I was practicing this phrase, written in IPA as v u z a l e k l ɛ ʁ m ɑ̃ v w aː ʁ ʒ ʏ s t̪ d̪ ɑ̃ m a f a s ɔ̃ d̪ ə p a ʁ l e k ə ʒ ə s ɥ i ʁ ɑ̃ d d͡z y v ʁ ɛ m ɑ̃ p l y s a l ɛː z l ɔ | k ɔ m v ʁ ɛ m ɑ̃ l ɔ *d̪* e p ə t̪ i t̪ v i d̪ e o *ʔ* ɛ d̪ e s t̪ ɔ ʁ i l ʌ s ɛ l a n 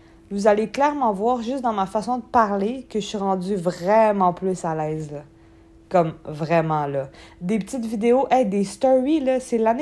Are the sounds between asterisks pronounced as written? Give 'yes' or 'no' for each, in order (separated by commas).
yes, yes